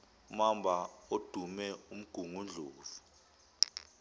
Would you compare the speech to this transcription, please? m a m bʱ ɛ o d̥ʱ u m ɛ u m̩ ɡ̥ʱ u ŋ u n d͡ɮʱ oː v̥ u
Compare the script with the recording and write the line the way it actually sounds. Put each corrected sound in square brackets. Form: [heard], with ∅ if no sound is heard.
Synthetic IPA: m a m bʱ [a] o d̥ʱ u m ɛ u m̩ ɡ̥ʱ u ŋ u n d͡ɮʱ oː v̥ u